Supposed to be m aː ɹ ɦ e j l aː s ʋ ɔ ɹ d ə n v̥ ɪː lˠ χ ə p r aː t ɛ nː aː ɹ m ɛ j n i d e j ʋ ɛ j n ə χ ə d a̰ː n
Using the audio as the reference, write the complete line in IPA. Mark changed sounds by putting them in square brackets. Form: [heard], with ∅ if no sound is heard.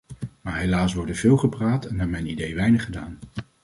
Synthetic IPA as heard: m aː ɹ ɦ e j l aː s ʋ ɔ ɹ d ə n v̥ ɪː lˠ χ ə p r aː t ɛ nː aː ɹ m ɛ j n i d e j ʋ ɛ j n ə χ ə d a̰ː n